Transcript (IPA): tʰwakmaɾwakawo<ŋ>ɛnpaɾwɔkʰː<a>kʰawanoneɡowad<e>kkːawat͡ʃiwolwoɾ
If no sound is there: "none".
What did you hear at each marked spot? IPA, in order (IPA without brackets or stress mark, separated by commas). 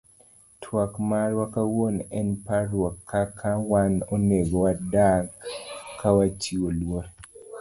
n, a, a